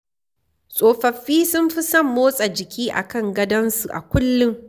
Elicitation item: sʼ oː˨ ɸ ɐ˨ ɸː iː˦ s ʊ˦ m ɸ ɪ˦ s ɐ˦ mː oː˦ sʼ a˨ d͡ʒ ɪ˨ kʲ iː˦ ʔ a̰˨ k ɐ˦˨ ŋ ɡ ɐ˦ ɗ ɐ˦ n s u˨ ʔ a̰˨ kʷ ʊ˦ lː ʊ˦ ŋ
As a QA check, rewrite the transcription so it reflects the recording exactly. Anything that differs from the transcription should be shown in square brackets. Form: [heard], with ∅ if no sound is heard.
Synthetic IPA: sʼ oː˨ ɸ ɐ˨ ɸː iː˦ s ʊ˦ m ɸ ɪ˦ s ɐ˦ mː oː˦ sʼ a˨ d͡ʒ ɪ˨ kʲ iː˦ ʔ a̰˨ k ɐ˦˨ ŋ ɡ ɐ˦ [d] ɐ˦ n s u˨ ʔ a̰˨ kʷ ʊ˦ lː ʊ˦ ŋ